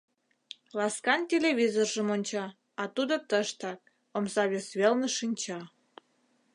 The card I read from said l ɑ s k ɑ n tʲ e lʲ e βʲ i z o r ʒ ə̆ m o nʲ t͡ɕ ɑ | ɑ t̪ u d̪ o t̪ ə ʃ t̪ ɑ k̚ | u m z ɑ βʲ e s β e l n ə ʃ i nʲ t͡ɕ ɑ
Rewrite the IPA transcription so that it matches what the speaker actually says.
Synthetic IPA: l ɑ s k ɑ n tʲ e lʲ e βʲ i z o r ʒ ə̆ m o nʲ t͡ɕ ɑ | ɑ t̪ u d̪ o t̪ ə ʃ t̪ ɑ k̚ | o m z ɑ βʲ e s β e l n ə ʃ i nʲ t͡ɕ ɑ